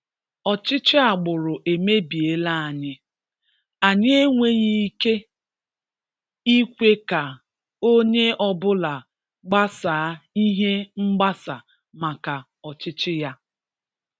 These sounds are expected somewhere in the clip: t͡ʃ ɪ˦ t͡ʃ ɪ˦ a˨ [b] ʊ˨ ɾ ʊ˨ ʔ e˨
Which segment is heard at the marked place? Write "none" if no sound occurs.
ɡ͡b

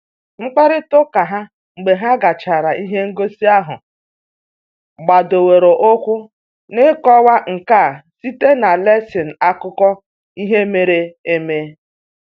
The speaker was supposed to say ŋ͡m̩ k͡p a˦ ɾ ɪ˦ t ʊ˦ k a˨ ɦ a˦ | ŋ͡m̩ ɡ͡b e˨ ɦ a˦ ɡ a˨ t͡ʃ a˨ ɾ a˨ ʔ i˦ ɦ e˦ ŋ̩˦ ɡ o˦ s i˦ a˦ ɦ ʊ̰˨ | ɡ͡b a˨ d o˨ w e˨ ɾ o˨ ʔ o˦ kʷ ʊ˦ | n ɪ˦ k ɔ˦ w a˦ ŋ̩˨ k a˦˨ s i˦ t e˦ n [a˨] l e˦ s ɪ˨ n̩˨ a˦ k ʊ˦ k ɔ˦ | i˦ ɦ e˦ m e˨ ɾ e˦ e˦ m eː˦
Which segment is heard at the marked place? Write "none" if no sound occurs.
a˨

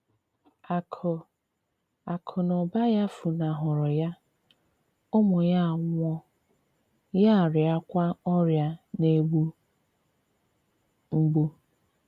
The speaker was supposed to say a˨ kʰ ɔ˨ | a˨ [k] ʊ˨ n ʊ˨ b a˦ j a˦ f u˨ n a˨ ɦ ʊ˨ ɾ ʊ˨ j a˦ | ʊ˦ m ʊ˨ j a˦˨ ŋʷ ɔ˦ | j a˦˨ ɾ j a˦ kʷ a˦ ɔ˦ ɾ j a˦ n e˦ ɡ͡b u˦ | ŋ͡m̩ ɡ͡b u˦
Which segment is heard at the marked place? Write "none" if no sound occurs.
kʰ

